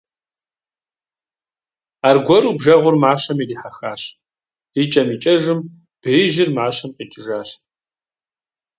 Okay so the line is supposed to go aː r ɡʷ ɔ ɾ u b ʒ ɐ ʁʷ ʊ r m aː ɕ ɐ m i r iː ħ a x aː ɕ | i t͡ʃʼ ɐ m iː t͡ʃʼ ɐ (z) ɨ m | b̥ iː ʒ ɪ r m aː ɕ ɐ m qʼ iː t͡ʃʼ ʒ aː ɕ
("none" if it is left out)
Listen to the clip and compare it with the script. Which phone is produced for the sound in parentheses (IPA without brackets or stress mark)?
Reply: ʒ